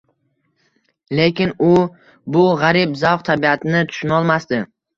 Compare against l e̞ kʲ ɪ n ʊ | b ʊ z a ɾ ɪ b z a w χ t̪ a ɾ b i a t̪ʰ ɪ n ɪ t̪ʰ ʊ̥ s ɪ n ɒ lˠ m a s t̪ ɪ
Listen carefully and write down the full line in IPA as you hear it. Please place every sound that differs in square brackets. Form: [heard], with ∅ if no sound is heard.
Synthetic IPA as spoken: l e̞ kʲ ɪ n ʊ | b ʊ [ʁ] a ɾ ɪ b z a w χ [t̪ʰ] a [∅] b i a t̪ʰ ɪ n ɪ t̪ʰ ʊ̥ [ʃ] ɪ n ɒ lˠ m a s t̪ ɪ